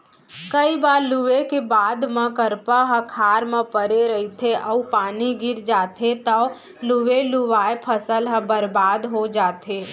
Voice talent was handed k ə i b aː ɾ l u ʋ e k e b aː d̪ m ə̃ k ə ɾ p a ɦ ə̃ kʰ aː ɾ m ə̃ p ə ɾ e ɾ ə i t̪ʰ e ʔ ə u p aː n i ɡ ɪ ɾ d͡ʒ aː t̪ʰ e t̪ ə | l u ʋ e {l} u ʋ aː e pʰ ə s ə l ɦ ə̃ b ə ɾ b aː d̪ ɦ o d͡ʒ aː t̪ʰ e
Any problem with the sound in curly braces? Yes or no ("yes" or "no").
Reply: no